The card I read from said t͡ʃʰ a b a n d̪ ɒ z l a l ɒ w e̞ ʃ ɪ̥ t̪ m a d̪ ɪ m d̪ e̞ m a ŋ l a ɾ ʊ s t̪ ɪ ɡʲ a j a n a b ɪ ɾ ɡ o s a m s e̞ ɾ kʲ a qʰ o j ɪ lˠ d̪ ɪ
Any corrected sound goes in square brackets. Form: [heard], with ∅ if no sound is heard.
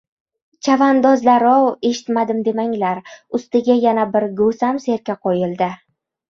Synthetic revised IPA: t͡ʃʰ a [v] a n d̪ ɒ z l a [ɾ] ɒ w e̞ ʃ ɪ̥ t̪ m a d̪ ɪ m d̪ e̞ m a ŋ l a ɾ ʊ s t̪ ɪ ɡʲ a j a n a b ɪ ɾ ɡ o s a m s e̞ ɾ kʲ a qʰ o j ɪ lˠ d̪ ɪ